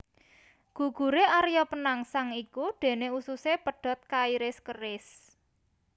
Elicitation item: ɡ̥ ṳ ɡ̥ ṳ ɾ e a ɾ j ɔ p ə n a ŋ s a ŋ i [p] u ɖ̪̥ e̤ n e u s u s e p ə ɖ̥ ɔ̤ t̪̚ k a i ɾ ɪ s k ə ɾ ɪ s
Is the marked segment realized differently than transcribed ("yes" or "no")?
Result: yes